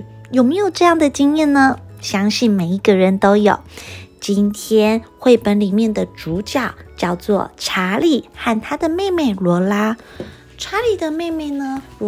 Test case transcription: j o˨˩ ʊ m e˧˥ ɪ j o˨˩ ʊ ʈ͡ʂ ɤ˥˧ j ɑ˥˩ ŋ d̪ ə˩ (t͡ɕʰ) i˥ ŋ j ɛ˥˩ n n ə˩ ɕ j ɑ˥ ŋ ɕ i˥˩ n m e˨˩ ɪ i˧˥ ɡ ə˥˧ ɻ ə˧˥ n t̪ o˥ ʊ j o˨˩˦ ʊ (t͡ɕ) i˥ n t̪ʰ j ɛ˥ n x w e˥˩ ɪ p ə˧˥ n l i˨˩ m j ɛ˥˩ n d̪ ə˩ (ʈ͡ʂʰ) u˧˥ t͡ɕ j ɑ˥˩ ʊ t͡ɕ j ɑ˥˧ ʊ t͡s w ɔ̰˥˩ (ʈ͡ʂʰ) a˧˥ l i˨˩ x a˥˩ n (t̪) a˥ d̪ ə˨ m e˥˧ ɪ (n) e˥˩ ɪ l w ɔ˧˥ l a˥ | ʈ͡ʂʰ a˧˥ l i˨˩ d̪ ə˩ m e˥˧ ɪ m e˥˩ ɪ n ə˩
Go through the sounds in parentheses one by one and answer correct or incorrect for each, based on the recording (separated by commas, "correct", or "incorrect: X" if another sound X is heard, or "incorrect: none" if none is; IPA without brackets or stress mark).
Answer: incorrect: t͡ɕ, correct, incorrect: ʈ͡ʂ, correct, incorrect: t̪ʰ, incorrect: m